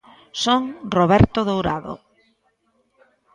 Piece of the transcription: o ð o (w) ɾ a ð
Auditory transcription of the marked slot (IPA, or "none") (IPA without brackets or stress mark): w